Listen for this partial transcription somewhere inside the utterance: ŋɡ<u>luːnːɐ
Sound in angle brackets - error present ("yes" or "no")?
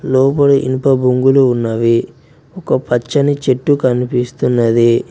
no